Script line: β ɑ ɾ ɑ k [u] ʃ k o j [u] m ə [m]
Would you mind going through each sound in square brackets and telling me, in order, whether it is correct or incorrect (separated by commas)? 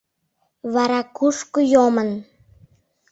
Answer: correct, incorrect, incorrect